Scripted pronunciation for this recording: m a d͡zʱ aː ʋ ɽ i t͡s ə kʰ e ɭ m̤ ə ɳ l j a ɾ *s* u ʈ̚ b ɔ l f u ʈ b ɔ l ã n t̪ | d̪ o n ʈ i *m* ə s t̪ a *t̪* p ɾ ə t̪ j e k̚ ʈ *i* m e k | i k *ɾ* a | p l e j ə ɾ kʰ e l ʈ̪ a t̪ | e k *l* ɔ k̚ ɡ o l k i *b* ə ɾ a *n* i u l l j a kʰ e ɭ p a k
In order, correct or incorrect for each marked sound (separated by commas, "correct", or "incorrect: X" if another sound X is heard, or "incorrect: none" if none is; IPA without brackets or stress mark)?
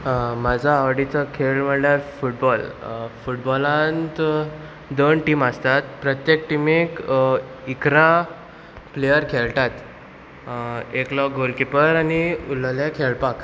incorrect: f, correct, correct, correct, correct, correct, incorrect: p, correct